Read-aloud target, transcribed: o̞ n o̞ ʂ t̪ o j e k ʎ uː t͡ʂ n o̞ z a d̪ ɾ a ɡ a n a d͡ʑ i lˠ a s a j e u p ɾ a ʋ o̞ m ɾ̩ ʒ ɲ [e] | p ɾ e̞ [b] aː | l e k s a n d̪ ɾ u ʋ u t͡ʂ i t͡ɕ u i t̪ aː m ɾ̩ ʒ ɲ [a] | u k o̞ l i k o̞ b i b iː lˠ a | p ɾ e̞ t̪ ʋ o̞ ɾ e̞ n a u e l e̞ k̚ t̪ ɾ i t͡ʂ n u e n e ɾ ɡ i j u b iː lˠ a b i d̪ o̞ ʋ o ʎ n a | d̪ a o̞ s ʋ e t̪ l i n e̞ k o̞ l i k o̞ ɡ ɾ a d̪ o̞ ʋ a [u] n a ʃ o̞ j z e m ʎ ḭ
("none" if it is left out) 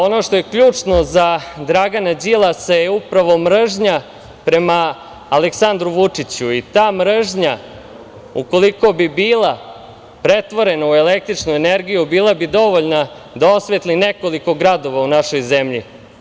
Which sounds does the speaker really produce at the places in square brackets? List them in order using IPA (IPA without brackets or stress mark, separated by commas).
a, m, a, u